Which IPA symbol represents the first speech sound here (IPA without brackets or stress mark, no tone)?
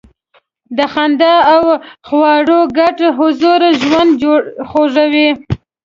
d̪